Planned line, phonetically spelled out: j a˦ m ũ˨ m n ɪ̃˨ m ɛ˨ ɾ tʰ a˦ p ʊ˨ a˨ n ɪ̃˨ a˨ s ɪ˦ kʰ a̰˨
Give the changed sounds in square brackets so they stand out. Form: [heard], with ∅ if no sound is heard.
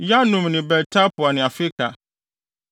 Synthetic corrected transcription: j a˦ [n] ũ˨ m n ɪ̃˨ [b] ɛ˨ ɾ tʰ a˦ p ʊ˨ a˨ n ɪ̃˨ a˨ [f] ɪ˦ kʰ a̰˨